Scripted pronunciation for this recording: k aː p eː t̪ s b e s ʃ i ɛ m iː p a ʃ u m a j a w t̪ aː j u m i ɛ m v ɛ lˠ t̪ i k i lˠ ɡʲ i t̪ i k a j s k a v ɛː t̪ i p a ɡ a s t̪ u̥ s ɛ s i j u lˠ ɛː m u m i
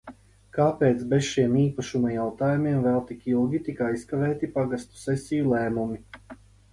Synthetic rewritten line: k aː p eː t̪ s b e s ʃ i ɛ m iː p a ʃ u m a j a w t̪ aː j u m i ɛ m v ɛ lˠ t̪ i k i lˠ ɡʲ i t̪ i k a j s k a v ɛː t̪ i p a ɡ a s t̪ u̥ s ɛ s i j u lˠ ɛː m u m i